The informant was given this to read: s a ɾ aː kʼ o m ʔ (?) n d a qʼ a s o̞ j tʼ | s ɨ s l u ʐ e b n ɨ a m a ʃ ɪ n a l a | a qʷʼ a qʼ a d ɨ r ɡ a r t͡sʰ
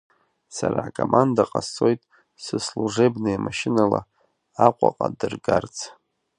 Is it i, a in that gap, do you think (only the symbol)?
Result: a